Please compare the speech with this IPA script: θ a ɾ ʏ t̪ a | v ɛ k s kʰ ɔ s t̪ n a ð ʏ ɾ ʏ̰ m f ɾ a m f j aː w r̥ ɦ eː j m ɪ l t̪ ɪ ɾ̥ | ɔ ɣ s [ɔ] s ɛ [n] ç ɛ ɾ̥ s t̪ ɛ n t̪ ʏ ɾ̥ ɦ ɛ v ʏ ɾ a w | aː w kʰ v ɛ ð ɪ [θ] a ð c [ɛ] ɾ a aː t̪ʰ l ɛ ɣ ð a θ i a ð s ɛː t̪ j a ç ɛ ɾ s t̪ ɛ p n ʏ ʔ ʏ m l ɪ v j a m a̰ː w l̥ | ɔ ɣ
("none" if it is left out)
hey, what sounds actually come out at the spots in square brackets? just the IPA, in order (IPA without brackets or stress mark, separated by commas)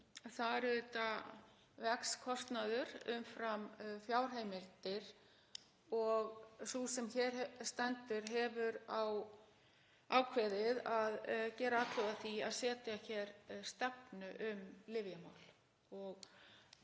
u, m, ð, ɛː